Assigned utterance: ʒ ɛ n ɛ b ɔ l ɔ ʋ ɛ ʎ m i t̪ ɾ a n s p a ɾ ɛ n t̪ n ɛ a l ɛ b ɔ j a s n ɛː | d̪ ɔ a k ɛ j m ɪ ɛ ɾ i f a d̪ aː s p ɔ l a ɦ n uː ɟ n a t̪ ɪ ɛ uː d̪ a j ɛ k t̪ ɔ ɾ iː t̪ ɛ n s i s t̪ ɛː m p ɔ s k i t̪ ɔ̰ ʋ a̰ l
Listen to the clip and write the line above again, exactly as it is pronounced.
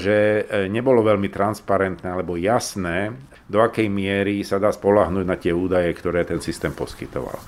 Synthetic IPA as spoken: ʒ ɛ ɲ ɛ b ɔ l ɔ ʋ ɛ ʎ m i t̪ ɾ a n s p a ɾ ɛ n t̪ n ɛ a l ɛ b ɔ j a s n ɛː | d̪ ɔ a k ɛ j m ɪ ɛ ɾ i s a d̪ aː s p ɔ l a ɦ n uː ɟ n a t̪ ɪ ɛ uː d̪ a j ɛ k t̪ ɔ ɾ ɛː t̪ ɛ n s i s t̪ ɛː m p ɔ s k i t̪ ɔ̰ ʋ a̰ l